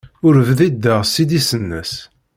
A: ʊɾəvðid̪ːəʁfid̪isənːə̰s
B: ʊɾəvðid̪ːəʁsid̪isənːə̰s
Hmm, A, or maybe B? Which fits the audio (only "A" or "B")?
B